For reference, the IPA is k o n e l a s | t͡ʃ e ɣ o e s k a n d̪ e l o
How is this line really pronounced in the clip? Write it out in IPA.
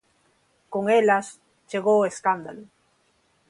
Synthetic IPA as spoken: k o ŋ e l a s | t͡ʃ e ɣ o e s k a n d̪ a l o